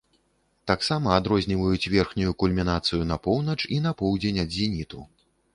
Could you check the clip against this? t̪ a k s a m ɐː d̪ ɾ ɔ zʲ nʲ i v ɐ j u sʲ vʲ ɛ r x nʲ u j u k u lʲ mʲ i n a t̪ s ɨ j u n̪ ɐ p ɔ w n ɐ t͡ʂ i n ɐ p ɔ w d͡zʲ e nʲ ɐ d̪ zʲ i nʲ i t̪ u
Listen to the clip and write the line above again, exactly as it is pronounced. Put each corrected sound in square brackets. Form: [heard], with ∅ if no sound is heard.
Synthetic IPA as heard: t̪ a k s a m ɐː d̪ ɾ ɔ zʲ nʲ i v ɐ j u [t͡sʲ] vʲ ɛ r x nʲ u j u k u lʲ mʲ i n a t̪ s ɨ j u n̪ ɐ p ɔ w n ɐ t͡ʂ i n ɐ p ɔ w d͡zʲ e nʲ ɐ d̪ zʲ i nʲ i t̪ u

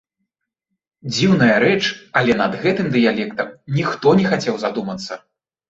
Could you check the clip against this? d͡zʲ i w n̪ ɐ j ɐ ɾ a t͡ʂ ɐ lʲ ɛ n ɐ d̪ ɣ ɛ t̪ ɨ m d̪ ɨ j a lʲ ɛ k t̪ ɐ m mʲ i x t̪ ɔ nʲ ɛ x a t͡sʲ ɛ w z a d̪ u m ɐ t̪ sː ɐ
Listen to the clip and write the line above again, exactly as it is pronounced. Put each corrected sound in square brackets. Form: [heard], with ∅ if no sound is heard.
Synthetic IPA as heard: d͡zʲ i w n̪ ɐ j ɐ ɾ [ɛ] t͡ʂ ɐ lʲ ɛ n ɐ d̪ ɣ ɛ t̪ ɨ m d̪ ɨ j a lʲ ɛ k t̪ ɐ m [nʲ] i x t̪ ɔ nʲ ɛ x a t͡sʲ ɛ w z a d̪ u m ɐ t̪ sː ɐ

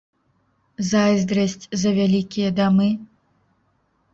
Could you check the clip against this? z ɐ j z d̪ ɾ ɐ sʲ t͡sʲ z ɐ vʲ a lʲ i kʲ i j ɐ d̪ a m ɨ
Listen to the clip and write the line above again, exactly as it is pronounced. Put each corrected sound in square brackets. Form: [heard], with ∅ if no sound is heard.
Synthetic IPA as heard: z [a] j z d̪ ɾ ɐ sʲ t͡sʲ z ɐ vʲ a lʲ i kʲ i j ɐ d̪ a m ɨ

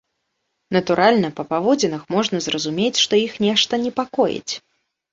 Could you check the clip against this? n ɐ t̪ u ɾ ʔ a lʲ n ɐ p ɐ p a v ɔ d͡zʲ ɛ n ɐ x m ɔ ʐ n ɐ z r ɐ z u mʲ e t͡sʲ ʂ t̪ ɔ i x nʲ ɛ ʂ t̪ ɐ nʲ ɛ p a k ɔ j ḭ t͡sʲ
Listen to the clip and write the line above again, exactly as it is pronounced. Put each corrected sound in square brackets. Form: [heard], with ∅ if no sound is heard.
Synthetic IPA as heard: n ɐ t̪ u ɾ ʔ a lʲ n ɐ p ɐ p a v ɔ d͡zʲ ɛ n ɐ x m ɔ ʐ n ɐ z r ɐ z u mʲ e t͡sʲ ʂ t̪ ɔ i x nʲ ɛ ʂ t̪ ɐ nʲ ɛ p a k ɔ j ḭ t͡sʲ

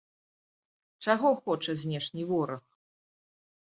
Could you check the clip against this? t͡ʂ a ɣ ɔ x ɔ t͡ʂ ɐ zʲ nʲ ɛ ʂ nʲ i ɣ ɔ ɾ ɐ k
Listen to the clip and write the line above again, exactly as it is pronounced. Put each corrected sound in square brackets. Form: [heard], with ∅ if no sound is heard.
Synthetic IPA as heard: t͡ʂ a ɣ ɔ x ɔ t͡ʂ ɐ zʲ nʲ ɛ ʂ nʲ i [v] ɔ ɾ ɐ [x]

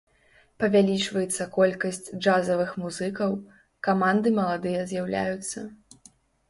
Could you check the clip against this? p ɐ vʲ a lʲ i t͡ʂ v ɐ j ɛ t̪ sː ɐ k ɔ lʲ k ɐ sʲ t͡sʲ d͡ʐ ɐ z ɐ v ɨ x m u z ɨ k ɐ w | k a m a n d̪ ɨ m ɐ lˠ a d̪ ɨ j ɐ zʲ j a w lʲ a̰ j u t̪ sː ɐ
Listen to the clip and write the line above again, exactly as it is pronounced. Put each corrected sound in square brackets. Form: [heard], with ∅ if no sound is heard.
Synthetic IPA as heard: p ɐ vʲ a lʲ i t͡ʂ v ɐ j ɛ t̪ sː ɐ k ɔ lʲ k ɐ sʲ t͡sʲ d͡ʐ [a] z ɐ v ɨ x m u z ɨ k ɐ w | k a m a n d̪ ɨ m ɐ lˠ a d̪ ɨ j ɐ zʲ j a w lʲ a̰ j u t̪ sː ɐ

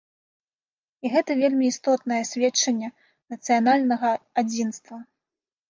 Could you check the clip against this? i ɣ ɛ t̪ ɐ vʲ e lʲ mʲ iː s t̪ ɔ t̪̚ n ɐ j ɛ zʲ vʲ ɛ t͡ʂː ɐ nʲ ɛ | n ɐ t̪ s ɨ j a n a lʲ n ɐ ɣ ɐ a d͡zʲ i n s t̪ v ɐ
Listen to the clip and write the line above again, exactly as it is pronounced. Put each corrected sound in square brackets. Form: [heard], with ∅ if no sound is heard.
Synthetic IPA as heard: i ɣ ɛ t̪ ɐ vʲ e lʲ mʲ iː s t̪ ɔ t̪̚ n ɐ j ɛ [sʲ] vʲ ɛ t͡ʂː ɐ [nʲː] ɛ | n ɐ t̪ s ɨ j a n a lʲ n ɐ ɣ ɐ a d͡zʲ i n s t̪ v ɐ

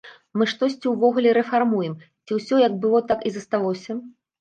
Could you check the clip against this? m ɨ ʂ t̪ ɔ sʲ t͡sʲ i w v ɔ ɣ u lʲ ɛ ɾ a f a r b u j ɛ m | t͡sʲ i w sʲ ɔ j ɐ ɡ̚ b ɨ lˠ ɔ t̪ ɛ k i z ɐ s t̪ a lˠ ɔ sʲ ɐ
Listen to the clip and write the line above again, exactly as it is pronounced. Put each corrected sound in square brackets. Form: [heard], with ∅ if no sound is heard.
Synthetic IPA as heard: m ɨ ʂ t̪ ɔ sʲ t͡sʲ i w v ɔ ɣ u lʲ ɛ ɾ [ɛ] f a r [m] u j ɛ m | t͡sʲ i w sʲ ɔ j ɐ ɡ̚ b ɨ lˠ ɔ t̪ [a] k i z ɐ s t̪ a lˠ ɔ sʲ ɐ

